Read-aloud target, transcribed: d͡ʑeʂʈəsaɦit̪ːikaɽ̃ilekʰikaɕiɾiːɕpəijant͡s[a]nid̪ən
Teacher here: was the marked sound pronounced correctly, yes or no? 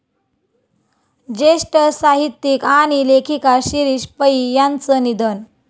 no